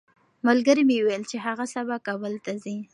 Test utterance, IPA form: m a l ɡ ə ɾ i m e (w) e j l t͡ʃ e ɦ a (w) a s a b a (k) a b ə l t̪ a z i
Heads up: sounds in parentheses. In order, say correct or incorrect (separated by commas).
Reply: correct, incorrect, correct